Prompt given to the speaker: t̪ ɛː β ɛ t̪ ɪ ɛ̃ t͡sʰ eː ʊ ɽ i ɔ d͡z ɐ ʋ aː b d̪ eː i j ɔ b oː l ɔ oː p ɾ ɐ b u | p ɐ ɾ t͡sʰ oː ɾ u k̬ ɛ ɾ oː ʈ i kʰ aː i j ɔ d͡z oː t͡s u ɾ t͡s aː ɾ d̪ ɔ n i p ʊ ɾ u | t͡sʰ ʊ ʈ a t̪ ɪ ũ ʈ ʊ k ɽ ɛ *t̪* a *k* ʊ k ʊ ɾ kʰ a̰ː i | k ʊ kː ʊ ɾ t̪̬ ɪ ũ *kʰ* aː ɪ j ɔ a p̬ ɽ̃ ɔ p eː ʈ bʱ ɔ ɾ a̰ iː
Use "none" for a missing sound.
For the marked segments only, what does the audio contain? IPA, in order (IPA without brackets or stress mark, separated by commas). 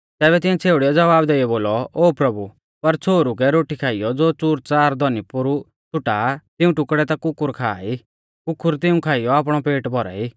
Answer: t̪, k, kʰ